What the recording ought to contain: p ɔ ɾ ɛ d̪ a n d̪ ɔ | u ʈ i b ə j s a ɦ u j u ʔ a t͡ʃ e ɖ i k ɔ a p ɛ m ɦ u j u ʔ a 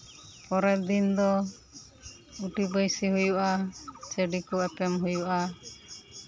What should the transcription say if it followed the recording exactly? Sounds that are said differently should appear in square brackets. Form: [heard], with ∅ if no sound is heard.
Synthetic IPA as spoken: p ɔ ɾ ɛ d̪ [i] n d̪ ɔ | u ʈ i b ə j s [i] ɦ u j u ʔ a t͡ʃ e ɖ i k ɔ [ɛ] p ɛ m ɦ u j u ʔ a